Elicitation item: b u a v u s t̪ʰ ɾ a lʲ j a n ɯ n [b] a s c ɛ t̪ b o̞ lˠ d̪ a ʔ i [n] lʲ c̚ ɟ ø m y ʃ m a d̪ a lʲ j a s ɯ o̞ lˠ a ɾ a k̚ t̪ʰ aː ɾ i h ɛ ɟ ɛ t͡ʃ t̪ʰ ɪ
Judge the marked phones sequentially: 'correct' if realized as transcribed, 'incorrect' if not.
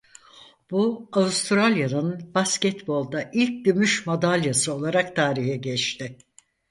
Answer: correct, incorrect: none

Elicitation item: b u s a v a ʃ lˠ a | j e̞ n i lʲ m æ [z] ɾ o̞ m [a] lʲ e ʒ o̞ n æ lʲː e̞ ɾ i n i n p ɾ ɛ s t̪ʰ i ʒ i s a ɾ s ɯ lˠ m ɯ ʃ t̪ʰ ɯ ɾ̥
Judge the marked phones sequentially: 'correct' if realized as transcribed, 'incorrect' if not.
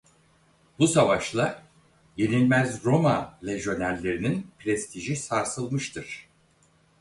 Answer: correct, correct

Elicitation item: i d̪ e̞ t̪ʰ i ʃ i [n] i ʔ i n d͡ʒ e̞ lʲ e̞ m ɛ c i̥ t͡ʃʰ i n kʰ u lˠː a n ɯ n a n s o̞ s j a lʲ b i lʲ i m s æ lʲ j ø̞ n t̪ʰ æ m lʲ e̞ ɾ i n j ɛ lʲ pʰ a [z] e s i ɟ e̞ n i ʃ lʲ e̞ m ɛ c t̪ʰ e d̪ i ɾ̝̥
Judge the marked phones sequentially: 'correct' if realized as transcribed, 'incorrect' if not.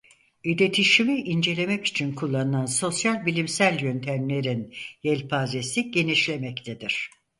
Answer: incorrect: m, correct

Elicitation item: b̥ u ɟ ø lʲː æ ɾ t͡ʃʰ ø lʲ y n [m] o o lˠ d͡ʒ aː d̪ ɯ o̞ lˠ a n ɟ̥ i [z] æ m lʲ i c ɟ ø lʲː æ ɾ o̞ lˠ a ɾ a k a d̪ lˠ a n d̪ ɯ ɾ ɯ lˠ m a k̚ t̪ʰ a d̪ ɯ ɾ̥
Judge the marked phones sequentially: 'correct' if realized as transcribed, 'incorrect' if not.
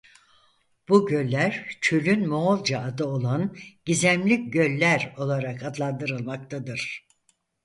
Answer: correct, correct

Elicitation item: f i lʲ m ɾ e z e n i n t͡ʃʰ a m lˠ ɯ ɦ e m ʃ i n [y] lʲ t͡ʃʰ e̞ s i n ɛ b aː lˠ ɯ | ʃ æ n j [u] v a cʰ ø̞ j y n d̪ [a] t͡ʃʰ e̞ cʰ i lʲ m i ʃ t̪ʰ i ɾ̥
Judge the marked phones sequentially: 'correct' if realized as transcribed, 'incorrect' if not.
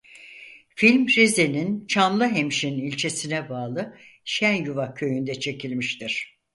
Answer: incorrect: i, correct, incorrect: ɛ

